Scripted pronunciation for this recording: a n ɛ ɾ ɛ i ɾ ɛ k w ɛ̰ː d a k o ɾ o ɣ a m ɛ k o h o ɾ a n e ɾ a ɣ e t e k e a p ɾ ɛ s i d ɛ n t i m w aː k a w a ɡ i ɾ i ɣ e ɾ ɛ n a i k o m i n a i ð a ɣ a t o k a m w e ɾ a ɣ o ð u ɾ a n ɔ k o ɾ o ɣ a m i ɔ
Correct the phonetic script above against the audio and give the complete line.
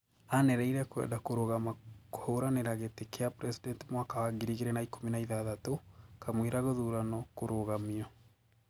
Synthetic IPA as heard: a n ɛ ɾ ɛ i ɾ ɛ k w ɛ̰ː d a k o ɾ o ɣ a m a k o h o ɾ a n e ɾ a ɣ e t e k e a p ɾ ɛ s i d ɛ n t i m w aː k a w a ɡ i ɾ i ɣ e ɾ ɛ n a i k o m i n a i ð a ð a t o k a m w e ɾ a ɣ o ð u ɾ a n ɔ k o ɾ o ɣ a m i ɔ

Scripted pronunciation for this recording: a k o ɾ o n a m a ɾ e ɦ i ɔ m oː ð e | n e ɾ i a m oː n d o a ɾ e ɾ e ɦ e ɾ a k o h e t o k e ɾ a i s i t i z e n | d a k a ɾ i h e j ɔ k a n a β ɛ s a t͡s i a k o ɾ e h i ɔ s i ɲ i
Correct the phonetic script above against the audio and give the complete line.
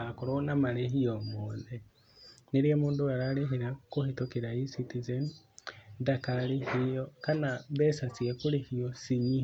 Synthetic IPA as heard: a k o ɾ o n a m a ɾ e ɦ i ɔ m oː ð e | n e ɾ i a m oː n d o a ɾ a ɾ e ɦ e ɾ a k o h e t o k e ɾ a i s i t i z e n | d a k a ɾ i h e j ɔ k a n a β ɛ s a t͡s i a k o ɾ e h i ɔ s i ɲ i

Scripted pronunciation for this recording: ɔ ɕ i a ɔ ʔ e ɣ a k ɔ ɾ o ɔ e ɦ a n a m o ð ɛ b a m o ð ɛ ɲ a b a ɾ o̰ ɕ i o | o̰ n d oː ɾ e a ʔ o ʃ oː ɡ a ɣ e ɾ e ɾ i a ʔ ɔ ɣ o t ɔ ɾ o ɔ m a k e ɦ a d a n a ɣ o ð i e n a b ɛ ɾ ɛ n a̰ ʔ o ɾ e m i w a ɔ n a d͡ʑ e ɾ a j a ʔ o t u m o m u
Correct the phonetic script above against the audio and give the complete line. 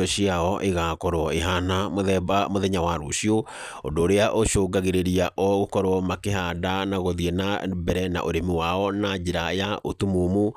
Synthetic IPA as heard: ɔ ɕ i a ɔ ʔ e ɣ a k ɔ ɾ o ɔ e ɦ a n a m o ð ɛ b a m o ð ɛ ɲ a w a ɾ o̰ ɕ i o | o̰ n d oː ɾ e a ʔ o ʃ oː ɡ a ɣ e ɾ e ɾ i a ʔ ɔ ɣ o k ɔ ɾ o ɔ m a k e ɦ a d a n a ɣ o ð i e n a b ɛ ɾ ɛ n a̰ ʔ o ɾ e m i w a ɔ n a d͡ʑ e ɾ a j a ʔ o t u m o m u

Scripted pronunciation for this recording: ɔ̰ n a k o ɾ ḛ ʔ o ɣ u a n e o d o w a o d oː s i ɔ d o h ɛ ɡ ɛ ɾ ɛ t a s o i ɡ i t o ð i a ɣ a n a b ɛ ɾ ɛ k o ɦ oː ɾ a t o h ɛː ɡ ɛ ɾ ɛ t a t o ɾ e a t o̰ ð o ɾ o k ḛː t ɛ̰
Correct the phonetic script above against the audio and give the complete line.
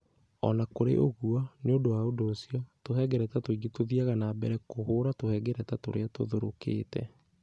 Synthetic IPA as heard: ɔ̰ n a k o ɾ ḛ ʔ o ɣ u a n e o d o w a o d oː s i ɔ t o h ɛ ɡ ɛ ɾ ɛ t a t o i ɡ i t o ð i a ɣ a n a b ɛ ɾ ɛ k o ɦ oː ɾ a t o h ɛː ɡ ɛ ɾ ɛ t a t o ɾ e a t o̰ ð o ɾ o k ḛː t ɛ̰

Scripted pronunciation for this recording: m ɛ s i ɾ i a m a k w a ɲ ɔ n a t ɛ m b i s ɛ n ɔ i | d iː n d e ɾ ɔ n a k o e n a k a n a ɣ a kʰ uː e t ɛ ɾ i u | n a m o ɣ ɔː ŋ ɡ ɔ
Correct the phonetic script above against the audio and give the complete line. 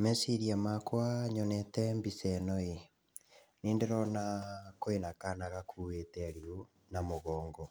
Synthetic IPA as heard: m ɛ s i ɾ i a m a k w a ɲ ɔ n ɛ t ɛ m b i s ɛ n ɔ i | n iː n d e ɾ ɔ n a k o e n a k a n a ɣ a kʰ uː e t ɛ ɾ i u | n a m o ɣ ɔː ŋ ɡ ɔ

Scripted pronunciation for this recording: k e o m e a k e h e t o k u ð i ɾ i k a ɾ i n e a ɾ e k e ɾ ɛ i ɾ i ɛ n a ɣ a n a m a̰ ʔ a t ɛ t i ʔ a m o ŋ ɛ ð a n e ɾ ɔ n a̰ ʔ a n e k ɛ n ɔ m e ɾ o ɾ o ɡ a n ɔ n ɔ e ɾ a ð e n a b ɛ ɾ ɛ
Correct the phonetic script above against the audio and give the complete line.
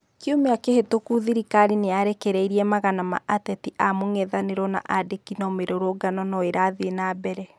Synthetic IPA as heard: k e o m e a k e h e t o k u ð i ɾ i k a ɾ i n e a ɾ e k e ɾ ɛ i ɾ i ɛ m a ɣ a n a m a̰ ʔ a t ɛ t i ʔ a m o ŋ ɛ ð a n e ɾ ɔ n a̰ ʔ a d e k i n ɔ m e ɾ o ɾ o ɡ a n ɔ n ɔ e ɾ a ð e n a b ɛ ɾ ɛ

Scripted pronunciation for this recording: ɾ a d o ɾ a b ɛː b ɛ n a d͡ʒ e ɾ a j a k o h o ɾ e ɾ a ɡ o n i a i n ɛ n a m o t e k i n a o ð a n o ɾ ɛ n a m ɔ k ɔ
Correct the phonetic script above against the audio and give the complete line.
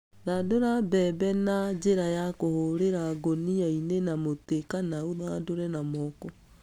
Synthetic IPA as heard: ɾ a d o ɾ a b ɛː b ɛ n a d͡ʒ e ɾ a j a k o h o ɾ e ɾ a ɡ o n i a i n e n a m o t e k a n a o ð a d o ɾ ɛ n a m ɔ k ɔ

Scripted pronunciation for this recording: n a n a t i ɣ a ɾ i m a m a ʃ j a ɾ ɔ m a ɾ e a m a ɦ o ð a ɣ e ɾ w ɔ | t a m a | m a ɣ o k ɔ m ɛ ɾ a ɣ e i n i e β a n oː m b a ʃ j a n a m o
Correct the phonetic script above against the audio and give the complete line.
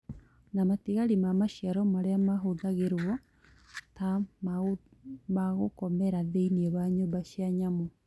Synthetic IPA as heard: n a m a t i ɣ a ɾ i m a m a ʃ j a ɾ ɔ m a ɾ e a m a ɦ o ð a ɣ e ɾ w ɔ | t a m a | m a ɣ o k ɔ m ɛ ɾ a ð e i n i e β a ɲ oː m b a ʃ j a ɲ a m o

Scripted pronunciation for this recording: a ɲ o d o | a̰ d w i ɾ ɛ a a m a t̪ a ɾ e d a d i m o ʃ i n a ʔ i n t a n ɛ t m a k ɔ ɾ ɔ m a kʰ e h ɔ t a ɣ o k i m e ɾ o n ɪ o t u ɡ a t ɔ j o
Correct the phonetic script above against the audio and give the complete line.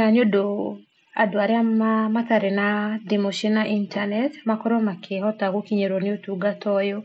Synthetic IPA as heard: a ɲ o d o | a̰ d w a ɾ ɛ a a m a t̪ a ɾ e n a d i m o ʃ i n a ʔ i n t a n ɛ t m a k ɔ ɾ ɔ m a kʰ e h ɔ t a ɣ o k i ɲ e ɾ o n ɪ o t u ɡ a t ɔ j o

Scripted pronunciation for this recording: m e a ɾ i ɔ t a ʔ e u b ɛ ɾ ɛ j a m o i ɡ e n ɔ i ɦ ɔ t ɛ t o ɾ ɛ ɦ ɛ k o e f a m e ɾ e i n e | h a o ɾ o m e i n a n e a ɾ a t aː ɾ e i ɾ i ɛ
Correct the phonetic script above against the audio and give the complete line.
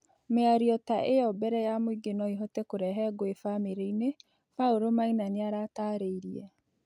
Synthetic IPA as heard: m e a ɾ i ɔ t a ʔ e ɔ b ɛ ɾ ɛ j a m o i ɡ e n ɔ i ɦ ɔ t ɛ k o ɾ ɛ ɦ ɛ ɡ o e f a m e ɾ e i n e | f a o ɾ o m a i n a n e a ɾ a t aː ɾ e i ɾ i ɛ

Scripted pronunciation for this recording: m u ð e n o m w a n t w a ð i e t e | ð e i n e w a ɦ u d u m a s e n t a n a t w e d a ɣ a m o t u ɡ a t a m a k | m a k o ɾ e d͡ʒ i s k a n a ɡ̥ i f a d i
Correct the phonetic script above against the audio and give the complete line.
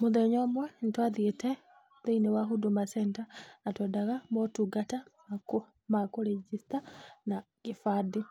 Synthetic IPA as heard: m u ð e ɲ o m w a n t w a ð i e t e | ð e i n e w a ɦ u d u m a s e n t a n a t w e d a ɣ a m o t u ɡ a t a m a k | m a k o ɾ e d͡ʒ i s t a n a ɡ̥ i f a d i

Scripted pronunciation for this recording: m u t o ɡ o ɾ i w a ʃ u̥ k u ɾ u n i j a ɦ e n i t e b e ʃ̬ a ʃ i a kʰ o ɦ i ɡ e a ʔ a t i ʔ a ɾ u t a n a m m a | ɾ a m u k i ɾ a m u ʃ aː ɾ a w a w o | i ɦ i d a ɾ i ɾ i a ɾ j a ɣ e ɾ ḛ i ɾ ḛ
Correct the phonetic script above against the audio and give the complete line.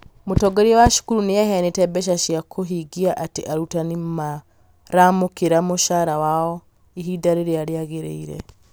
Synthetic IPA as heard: m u t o ɡ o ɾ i w a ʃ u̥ k u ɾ u n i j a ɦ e n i t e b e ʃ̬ a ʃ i a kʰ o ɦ i ɡ i a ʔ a t i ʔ a ɾ u t a n i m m a | ɾ a m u k i ɾ a m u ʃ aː ɾ a w a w o | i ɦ i d a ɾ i ɾ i a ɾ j a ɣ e ɾ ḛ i ɾ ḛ

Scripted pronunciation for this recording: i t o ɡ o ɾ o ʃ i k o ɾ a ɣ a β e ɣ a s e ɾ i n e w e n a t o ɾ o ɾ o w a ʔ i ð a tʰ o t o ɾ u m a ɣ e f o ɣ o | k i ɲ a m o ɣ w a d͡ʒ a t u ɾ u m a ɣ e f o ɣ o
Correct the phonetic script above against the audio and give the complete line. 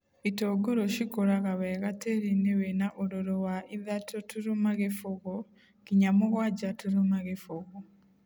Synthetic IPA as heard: i t o ɡ o ɾ o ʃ i k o ɾ a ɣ a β e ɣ a t e ɾ i n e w e n a ʔ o ɾ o ɾ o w a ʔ i ð a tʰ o t u ɾ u m a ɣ e f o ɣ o | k i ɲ a m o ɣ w a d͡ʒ a t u ɾ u m a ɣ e f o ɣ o

